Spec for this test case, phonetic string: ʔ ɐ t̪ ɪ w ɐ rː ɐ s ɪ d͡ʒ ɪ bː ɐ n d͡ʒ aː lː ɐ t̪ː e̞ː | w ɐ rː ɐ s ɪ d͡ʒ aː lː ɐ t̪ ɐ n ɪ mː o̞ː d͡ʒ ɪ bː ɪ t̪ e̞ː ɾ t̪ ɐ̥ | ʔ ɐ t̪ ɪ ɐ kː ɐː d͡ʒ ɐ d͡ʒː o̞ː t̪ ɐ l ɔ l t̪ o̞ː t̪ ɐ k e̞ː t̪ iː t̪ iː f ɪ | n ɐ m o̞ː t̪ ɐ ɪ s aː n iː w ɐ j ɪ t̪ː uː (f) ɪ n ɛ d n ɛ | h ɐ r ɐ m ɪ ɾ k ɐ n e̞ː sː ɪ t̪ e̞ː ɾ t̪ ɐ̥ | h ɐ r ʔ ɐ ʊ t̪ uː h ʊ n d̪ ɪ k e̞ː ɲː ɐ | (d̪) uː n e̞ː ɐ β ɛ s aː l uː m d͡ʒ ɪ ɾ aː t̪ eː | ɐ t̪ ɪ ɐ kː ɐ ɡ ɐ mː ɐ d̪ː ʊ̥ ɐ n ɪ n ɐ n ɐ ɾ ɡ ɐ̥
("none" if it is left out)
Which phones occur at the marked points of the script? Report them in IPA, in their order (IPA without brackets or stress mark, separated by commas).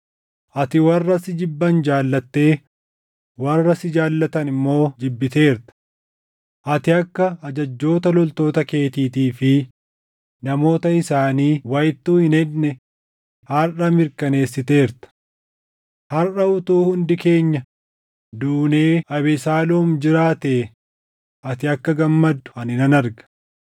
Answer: h, d̪